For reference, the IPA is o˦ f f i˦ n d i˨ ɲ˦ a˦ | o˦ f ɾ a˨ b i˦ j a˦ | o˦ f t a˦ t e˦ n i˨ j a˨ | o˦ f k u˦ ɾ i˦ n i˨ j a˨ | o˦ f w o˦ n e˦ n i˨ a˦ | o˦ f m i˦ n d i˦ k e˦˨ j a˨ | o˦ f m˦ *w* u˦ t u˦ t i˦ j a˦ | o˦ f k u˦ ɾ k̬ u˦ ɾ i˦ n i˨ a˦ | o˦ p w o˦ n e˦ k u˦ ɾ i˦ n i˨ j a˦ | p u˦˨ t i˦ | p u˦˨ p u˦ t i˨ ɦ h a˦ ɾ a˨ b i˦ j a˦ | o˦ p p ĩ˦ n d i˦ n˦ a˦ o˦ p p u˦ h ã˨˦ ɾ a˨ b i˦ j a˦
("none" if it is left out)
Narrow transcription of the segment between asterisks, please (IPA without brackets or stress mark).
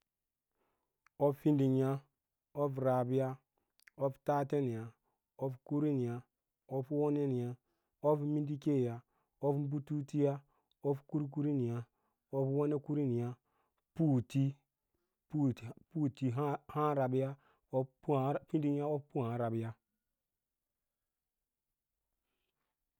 b